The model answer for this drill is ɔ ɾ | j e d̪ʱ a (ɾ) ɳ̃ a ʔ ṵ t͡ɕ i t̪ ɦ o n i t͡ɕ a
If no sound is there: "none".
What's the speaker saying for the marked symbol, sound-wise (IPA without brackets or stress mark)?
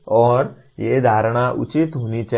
ɾ